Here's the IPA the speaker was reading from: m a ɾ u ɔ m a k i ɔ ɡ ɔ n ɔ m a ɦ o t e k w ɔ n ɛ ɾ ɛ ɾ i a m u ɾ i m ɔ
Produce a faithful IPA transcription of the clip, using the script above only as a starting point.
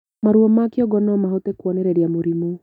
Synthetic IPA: m a ɾ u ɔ m a k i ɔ ɡ ɔ n ɔ m a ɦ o t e k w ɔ n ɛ ɾ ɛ ɾ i a m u ɾ i m u